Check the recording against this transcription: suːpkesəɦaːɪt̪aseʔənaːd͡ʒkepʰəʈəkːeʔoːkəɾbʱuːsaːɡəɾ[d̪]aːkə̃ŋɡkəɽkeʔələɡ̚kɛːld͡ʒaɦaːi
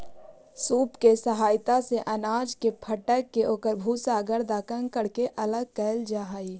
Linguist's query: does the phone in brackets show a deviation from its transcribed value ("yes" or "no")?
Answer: no